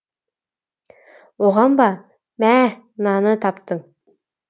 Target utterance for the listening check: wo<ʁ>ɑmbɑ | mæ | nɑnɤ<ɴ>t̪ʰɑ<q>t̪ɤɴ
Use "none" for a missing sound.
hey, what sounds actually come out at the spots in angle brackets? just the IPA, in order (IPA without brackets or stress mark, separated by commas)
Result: ʁ, none, p